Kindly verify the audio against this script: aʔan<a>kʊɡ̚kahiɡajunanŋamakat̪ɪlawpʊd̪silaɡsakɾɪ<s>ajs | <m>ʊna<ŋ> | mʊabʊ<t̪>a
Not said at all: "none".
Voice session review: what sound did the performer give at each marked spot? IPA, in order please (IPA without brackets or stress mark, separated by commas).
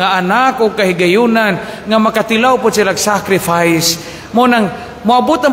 a, f, m, ŋ, t̪